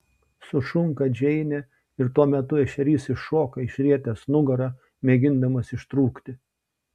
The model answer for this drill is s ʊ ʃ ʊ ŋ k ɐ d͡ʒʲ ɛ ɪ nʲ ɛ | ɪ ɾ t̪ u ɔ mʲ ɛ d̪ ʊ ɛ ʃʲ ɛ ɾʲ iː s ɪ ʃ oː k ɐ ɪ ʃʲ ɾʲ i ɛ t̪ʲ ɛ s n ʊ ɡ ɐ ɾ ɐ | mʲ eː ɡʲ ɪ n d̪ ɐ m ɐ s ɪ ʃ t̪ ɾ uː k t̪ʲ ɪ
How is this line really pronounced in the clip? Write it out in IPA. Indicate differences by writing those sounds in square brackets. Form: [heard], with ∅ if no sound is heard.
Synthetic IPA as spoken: s ʊ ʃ ʊ ŋ k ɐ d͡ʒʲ ɛ ɪ nʲ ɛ | ɪ ɾ t̪ u ɔ mʲ ɛ [t̪] ʊ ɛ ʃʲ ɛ ɾʲ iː s ɪ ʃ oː k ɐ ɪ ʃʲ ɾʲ i ɛ t̪ʲ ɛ s n ʊ ɡ ɐ ɾ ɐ | mʲ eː ɡʲ ɪ n d̪ ɐ m ɐ s ɪ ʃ t̪ ɾ uː k t̪ʲ ɪ